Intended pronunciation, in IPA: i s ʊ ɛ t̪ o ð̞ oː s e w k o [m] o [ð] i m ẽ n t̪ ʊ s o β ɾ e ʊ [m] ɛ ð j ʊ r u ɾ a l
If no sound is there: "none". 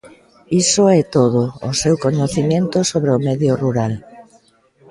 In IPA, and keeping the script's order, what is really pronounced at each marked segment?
ɲ, θ, m

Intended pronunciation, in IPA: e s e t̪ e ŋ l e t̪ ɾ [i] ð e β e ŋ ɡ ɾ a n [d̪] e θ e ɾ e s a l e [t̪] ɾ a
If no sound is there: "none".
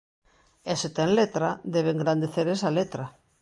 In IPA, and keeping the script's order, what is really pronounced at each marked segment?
a, d̪, t̪

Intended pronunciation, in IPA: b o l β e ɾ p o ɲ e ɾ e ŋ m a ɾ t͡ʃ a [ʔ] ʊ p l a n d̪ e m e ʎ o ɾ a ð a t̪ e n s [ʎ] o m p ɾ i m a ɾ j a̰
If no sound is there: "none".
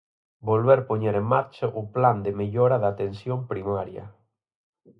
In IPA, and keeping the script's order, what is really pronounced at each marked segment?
ʔ, j

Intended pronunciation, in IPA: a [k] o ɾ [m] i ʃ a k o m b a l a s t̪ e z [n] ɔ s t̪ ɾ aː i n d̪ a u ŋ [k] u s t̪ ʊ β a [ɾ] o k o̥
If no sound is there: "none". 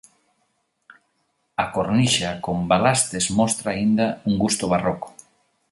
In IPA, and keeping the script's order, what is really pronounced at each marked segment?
k, n, m, ɡ, r

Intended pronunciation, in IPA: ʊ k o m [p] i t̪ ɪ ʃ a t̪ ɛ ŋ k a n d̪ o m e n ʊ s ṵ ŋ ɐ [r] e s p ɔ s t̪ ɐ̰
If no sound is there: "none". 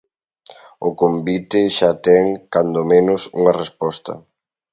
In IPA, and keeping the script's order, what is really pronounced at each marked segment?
b, r

